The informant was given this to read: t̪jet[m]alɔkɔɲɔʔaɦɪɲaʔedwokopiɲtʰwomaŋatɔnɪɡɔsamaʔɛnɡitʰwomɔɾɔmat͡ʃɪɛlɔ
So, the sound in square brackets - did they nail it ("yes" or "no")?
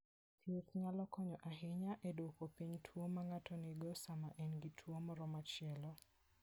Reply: no